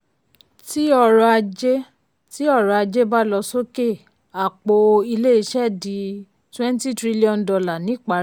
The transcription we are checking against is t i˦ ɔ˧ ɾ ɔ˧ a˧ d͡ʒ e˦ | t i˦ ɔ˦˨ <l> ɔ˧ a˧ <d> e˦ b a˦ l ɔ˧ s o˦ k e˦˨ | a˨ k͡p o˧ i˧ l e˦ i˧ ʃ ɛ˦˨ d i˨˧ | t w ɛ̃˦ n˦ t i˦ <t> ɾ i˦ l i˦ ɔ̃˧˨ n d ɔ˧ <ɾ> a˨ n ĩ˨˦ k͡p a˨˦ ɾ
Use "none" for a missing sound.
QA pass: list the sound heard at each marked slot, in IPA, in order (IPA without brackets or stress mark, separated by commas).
ɾ, d͡ʒ, t, l